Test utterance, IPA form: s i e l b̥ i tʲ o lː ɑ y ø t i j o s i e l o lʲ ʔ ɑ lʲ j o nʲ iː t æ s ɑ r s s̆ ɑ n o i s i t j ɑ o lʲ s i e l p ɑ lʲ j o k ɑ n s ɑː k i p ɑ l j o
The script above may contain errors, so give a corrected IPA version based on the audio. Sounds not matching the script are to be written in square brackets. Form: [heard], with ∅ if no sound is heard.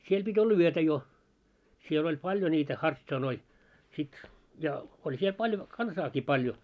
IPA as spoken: s i e l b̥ i tʲ o lː ɑ y ø t [æ] j o s i e l o lʲ [p] ɑ lʲ j o nʲ iː t æ [h] ɑ r [t] s̆ ɑ n o i s i t j ɑ o lʲ s i e l p ɑ lʲ j o k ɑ n s ɑː k i p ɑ l j o